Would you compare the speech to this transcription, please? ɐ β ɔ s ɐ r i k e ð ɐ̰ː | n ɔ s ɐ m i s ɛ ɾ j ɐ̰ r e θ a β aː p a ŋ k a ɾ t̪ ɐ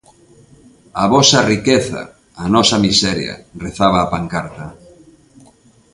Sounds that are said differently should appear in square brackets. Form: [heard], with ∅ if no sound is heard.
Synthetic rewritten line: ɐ β ɔ s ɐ r i k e [θ] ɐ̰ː | n ɔ s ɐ m i s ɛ ɾ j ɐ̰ r e θ a β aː p a ŋ k a ɾ t̪ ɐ